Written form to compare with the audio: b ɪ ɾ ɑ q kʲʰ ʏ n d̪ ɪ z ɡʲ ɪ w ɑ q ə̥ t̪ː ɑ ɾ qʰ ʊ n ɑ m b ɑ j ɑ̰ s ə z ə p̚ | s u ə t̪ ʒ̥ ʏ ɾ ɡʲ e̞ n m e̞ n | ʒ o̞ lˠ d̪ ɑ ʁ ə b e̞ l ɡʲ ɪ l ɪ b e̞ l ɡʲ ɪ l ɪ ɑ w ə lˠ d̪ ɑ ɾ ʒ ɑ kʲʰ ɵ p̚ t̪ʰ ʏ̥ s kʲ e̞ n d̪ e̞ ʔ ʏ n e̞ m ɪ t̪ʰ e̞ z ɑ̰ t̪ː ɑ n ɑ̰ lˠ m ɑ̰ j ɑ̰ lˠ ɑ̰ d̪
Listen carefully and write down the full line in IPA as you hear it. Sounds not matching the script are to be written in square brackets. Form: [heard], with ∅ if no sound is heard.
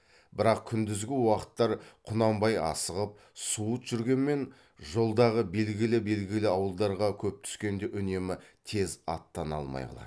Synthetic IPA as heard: b ɪ ɾ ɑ q kʲʰ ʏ n d̪ ɪ z ɡʲ ɪ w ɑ q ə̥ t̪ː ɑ ɾ qʰ ʊ n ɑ m b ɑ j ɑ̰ s ə [ʁ] ə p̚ | s u ə t̪ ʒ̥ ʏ ɾ ɡʲ e̞ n m e̞ n | ʒ o̞ lˠ d̪ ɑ ʁ ə b e̞ l ɡʲ ɪ l ɪ b e̞ l ɡʲ ɪ l ɪ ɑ w ə lˠ d̪ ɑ ɾ [ʁ] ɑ kʲʰ ɵ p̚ t̪ʰ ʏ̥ s kʲ e̞ n d̪ e̞ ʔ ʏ n e̞ m ɪ t̪ʰ e̞ z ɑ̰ t̪ː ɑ n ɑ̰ lˠ m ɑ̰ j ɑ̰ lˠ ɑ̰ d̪